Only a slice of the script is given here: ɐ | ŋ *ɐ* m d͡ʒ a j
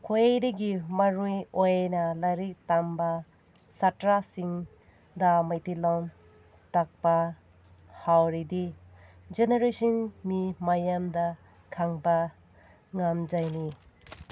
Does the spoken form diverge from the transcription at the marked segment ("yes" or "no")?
yes